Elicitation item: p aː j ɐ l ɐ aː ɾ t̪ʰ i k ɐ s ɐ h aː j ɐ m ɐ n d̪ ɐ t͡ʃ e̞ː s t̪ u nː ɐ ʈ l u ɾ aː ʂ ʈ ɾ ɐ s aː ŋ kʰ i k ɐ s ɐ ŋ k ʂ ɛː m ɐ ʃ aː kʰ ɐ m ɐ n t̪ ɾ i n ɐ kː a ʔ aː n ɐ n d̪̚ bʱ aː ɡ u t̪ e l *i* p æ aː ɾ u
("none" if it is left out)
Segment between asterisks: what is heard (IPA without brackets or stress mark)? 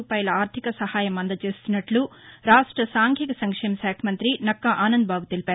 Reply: i